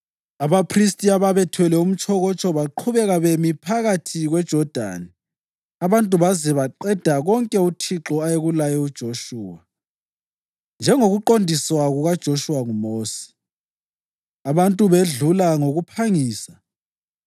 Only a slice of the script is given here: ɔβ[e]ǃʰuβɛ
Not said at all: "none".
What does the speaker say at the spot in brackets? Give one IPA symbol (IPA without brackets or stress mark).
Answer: a